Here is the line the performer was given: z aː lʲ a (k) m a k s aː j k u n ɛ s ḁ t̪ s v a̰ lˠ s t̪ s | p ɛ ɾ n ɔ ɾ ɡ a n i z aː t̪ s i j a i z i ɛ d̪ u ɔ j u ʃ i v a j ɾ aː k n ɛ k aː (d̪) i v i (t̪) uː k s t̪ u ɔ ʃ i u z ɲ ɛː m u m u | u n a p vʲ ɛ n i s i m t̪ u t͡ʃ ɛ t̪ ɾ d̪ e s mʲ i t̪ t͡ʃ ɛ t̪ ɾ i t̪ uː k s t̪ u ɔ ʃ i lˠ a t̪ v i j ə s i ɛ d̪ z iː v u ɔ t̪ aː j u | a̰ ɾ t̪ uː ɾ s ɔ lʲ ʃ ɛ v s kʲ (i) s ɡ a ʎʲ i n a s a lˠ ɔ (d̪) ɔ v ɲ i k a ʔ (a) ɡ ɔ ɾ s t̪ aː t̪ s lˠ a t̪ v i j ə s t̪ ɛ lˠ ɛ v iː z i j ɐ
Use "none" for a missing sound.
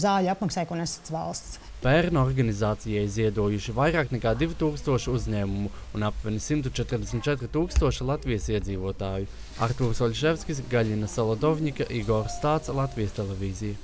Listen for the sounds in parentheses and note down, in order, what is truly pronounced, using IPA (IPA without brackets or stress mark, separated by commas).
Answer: p, d̪, t̪, i, d̪, i